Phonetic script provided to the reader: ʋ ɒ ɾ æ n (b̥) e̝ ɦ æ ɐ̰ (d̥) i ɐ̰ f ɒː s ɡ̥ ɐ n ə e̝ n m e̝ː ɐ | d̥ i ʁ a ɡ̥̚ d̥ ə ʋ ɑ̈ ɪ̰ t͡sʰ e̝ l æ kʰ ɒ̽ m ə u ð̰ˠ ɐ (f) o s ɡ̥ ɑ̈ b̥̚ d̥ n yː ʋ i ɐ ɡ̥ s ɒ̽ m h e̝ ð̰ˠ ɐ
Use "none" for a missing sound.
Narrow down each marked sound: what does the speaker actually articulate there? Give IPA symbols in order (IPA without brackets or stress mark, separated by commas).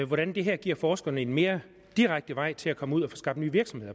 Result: d̥, ɡ̥, f